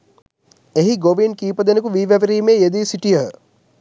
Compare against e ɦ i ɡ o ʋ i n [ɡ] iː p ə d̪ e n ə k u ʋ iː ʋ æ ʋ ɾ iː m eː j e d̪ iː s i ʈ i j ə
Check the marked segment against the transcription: incorrect: k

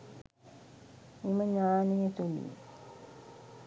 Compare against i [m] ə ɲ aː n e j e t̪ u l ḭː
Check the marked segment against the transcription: correct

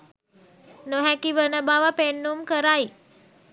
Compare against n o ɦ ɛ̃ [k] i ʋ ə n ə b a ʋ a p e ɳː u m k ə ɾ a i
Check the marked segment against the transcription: correct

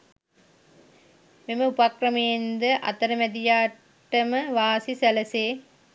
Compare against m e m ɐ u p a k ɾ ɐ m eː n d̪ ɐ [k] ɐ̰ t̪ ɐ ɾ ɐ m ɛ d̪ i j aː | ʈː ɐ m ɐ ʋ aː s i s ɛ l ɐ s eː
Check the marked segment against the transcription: incorrect: ʔ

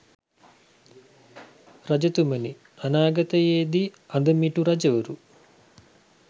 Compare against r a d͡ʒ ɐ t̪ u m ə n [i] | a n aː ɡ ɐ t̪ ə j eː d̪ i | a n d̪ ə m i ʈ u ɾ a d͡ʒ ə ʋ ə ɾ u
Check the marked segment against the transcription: correct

